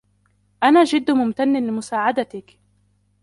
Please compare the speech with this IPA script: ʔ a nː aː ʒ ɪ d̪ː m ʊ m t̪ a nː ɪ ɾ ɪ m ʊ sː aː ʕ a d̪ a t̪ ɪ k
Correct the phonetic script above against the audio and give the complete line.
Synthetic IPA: ʔ a n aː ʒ ɪ d̪ː m ʊ m t̪ a nː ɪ l ɪ m ʊ s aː ʕ a d̪ a t̪ ɪ k